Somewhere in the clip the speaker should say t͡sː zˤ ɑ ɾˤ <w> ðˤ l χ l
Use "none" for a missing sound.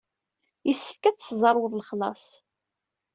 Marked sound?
w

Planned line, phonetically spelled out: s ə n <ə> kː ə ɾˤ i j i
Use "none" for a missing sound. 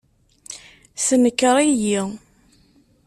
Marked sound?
ə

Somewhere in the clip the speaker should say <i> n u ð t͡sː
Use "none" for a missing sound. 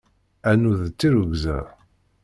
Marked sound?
æ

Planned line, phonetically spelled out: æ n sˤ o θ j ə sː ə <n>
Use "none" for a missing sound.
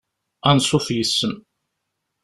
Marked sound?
m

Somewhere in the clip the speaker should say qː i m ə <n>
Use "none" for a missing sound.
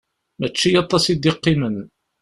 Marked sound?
n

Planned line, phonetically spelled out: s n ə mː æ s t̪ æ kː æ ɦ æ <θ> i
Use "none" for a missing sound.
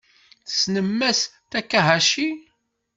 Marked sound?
ʃ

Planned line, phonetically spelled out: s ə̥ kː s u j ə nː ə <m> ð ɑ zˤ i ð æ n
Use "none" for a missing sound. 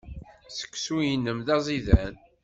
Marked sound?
m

